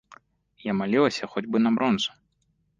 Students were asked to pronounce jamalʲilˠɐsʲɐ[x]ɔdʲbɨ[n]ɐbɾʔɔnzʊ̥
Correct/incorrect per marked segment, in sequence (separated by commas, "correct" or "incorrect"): correct, correct